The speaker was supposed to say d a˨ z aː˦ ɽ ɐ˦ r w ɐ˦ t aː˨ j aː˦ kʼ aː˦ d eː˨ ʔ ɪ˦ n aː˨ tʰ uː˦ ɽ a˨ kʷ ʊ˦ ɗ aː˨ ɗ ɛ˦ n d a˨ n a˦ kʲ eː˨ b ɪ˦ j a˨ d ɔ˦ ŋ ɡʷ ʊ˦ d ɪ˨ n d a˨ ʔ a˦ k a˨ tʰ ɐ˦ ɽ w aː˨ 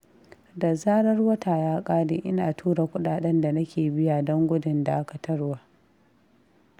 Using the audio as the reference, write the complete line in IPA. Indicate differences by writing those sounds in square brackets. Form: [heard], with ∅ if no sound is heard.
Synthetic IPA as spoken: d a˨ z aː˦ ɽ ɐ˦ r w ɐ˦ t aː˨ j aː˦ kʼ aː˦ d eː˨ ʔ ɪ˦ n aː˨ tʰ uː˦ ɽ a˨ kʷ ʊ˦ ɗ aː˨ ɗ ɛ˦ n d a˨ n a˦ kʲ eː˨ b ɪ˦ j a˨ d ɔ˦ ŋ ɡʷ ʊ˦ d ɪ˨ n d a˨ ʔ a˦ k a˨ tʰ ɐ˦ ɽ w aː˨